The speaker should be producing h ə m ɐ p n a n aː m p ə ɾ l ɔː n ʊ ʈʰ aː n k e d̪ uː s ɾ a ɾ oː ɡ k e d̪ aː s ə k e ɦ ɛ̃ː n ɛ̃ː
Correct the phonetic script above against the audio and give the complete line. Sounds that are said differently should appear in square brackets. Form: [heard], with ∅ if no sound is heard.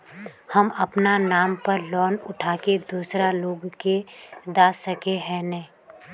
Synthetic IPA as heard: h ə m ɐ p n a n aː m p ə ɾ l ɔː n ʊ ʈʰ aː [∅] k e d̪ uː s ɾ a [l] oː ɡ k e d̪ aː s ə k e ɦ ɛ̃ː n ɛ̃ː